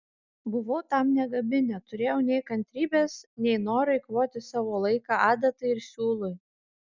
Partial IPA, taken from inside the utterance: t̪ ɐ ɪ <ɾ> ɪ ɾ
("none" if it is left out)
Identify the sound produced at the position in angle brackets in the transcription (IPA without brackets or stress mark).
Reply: none